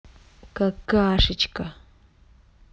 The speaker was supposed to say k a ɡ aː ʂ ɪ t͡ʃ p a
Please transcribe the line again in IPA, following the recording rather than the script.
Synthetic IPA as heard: k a k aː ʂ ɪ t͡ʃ k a